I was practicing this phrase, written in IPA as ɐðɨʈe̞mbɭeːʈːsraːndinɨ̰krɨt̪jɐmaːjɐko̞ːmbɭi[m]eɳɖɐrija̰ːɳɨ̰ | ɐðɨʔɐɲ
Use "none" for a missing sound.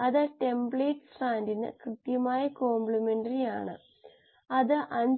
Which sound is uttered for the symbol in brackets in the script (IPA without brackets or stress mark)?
m